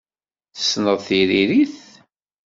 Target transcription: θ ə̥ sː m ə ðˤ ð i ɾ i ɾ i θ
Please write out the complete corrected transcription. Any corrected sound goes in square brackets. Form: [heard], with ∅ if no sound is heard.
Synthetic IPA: θ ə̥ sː [n] ə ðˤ [θ] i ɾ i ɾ i θ